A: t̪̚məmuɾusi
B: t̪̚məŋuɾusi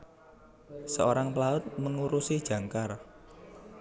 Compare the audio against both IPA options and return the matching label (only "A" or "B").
B